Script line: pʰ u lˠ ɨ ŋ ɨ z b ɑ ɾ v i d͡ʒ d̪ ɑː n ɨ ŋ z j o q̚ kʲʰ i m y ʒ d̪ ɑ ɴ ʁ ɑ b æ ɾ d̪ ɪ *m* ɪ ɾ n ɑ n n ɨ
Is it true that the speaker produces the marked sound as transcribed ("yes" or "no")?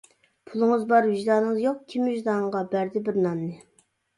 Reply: no